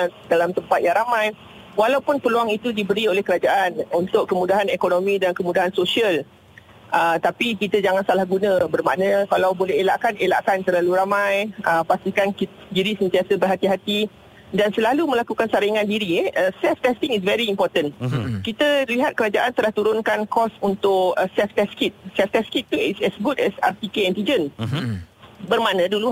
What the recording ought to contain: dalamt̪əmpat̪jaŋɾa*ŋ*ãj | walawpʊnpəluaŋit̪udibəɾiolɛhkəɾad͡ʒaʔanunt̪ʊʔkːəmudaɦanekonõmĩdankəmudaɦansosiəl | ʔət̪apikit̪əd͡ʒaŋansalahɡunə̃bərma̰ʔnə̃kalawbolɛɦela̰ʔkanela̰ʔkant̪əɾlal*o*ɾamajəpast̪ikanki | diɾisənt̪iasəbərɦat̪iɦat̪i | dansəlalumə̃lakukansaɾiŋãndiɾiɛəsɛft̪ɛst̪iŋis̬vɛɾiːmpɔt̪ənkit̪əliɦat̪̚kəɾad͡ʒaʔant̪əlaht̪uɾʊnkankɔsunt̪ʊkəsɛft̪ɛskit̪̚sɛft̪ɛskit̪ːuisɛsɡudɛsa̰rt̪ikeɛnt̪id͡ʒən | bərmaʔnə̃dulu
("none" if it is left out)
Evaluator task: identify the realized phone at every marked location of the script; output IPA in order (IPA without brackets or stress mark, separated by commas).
m, u